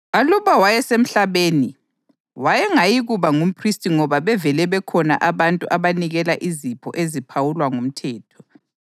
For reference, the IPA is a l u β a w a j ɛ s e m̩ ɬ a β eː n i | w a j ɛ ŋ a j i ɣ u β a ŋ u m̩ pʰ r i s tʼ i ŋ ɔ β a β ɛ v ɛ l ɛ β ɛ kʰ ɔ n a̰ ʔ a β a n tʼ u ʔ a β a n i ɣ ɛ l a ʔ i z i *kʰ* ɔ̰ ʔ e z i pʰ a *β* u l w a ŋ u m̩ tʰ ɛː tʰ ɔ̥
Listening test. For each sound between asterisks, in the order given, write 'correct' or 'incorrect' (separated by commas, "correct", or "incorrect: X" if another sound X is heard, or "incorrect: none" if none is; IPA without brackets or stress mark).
incorrect: pʰ, incorrect: w